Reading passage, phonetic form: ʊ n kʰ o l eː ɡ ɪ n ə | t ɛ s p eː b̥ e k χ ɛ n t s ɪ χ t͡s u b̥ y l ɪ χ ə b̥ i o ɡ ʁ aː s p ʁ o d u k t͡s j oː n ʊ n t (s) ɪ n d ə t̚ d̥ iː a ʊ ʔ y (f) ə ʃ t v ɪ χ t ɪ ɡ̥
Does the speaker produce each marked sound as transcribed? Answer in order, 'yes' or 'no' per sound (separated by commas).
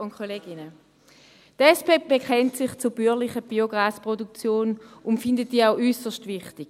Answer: no, no